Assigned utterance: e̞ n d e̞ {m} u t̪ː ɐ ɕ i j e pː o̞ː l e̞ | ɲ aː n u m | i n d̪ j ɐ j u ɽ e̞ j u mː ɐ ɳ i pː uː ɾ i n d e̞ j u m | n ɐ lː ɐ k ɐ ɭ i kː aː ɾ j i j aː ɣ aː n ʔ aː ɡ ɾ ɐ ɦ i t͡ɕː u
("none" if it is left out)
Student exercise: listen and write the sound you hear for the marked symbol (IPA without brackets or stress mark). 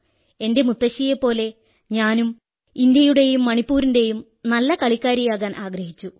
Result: m